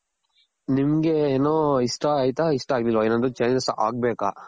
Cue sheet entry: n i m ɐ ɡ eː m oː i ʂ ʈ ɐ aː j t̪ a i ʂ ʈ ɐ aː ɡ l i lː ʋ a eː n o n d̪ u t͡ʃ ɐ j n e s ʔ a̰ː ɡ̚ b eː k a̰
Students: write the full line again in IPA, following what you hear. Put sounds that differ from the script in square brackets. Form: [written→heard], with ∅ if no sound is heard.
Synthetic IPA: n i m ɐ ɡ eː [m→n] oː i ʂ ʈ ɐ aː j t̪ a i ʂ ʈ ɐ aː ɡ l i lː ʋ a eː n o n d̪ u t͡ʃ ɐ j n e s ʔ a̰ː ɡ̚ b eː k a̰

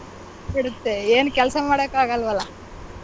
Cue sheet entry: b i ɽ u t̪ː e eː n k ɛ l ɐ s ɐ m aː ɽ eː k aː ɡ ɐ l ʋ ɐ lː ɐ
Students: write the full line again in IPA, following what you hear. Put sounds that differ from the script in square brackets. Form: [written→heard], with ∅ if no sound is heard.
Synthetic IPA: b i ɽ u t̪ː e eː n k ɛ l ɐ s ɐ m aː ɽ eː k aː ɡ ɐ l ʋ ɐ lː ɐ

